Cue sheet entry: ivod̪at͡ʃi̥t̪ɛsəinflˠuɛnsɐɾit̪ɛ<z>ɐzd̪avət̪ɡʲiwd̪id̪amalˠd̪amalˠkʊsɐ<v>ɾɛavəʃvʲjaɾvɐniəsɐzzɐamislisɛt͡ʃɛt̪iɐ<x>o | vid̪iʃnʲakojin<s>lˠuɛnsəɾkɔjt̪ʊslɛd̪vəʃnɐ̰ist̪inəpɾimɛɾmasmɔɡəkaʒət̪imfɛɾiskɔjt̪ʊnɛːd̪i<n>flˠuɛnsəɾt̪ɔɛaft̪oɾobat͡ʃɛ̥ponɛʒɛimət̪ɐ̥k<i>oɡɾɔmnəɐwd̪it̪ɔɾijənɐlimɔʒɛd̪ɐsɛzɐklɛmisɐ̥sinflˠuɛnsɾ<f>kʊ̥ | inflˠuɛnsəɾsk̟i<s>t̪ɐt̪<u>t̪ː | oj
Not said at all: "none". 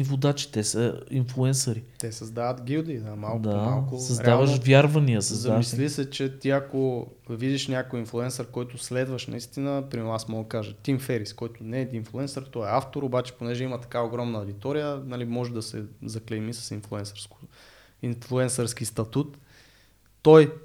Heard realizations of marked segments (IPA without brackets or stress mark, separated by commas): s, z, k, f, n, a, s, s, u